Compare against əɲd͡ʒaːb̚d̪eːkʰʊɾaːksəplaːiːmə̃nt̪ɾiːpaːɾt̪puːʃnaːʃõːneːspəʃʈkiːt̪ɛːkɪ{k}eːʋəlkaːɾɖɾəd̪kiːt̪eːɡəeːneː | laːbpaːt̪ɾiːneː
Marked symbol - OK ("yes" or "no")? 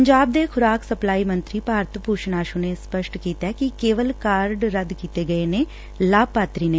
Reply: yes